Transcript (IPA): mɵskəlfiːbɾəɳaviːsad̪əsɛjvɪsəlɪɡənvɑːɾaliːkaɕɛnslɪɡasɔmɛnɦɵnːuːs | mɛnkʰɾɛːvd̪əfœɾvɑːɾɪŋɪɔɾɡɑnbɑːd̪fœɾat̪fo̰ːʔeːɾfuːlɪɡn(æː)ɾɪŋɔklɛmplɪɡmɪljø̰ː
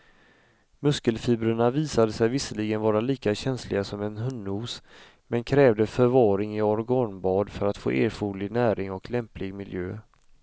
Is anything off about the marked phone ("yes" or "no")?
no